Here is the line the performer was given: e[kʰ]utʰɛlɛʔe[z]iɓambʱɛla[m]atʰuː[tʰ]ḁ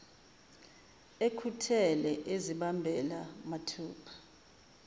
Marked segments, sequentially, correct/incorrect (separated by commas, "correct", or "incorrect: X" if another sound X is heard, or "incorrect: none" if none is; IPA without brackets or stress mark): correct, correct, correct, incorrect: pʰ